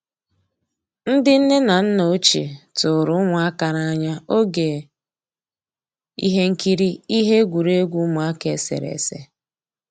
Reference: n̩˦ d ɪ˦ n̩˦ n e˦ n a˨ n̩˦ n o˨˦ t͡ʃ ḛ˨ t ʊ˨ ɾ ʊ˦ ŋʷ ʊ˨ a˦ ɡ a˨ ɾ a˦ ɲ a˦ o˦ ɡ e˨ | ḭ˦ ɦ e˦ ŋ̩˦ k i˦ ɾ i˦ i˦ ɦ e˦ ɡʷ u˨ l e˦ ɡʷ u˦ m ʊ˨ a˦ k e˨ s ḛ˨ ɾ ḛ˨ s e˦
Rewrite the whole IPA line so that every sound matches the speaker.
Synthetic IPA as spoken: n̩˦ d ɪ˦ n̩˦ n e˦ n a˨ n̩˦ n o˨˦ t͡ʃ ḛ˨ t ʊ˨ ɾ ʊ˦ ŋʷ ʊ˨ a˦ k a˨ ɾ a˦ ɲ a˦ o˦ ɡ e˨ | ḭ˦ ɦ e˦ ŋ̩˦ k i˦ ɾ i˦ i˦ ɦ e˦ ɡʷ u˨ ɾ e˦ ɡʷ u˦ m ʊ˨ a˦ k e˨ s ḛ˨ ɾ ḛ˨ s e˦